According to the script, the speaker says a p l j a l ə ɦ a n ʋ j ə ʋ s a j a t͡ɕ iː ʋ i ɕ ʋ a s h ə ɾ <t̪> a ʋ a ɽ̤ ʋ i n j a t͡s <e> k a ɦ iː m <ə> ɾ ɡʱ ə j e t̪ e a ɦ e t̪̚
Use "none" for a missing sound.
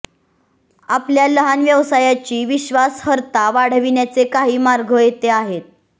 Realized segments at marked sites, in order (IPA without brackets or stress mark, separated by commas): t̪, e, a